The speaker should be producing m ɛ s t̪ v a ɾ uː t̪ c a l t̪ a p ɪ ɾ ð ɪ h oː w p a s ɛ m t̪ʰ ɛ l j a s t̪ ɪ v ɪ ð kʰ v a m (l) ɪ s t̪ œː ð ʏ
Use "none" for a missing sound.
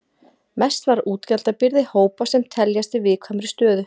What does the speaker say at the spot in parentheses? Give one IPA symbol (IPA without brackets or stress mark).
ɾ